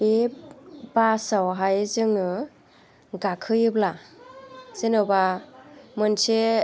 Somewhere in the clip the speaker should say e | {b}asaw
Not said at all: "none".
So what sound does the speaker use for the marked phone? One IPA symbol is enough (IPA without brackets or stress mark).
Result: b